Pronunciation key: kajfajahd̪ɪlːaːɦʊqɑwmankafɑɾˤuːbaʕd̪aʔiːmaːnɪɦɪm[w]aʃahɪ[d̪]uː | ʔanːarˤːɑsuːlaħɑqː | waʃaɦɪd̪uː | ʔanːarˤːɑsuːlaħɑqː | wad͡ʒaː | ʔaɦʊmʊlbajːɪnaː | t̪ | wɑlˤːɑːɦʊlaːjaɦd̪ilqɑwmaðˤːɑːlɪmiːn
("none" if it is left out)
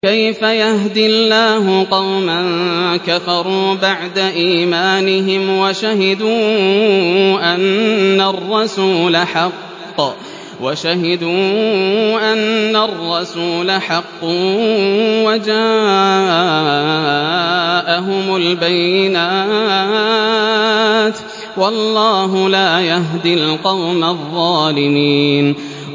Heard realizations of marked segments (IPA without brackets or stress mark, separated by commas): w, d̪